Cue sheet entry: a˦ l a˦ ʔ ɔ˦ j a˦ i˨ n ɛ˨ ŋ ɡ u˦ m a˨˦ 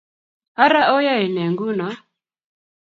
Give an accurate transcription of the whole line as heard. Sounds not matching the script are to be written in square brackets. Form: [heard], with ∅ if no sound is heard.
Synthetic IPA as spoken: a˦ [ɾ] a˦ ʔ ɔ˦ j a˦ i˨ n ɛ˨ ŋ ɡ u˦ [n] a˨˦